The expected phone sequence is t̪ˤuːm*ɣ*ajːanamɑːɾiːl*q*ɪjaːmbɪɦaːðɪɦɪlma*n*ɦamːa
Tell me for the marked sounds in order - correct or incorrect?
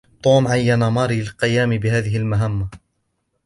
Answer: incorrect, correct, incorrect

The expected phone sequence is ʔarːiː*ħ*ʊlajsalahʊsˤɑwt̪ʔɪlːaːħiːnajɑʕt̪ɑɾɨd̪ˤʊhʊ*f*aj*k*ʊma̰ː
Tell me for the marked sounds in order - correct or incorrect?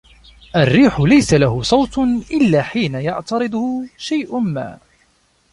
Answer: correct, incorrect, incorrect

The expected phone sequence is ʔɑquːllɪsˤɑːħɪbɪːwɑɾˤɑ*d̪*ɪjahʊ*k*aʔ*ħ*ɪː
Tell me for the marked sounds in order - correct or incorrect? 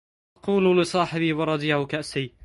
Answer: correct, correct, incorrect

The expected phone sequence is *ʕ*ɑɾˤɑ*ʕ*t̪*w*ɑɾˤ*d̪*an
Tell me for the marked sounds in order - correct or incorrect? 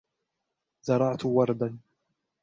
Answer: incorrect, correct, correct, correct

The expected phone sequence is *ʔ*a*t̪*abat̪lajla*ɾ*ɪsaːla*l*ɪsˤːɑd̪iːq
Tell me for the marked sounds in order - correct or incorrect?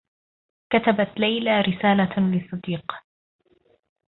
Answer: incorrect, correct, correct, correct

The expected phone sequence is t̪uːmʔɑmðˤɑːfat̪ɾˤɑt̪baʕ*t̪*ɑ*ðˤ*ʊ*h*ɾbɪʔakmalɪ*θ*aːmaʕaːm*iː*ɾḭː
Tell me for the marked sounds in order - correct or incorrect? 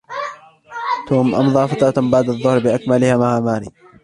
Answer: incorrect, incorrect, correct, incorrect, incorrect

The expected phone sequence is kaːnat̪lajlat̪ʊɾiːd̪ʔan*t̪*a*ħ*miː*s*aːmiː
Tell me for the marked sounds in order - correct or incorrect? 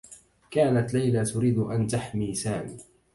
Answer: correct, correct, correct

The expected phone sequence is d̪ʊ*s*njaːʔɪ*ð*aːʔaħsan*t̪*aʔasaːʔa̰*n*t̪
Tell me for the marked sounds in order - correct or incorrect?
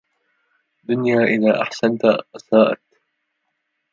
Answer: incorrect, correct, correct, incorrect

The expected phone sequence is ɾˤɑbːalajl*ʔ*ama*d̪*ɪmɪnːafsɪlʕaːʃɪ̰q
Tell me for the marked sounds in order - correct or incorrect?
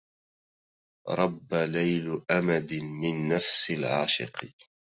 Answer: correct, correct

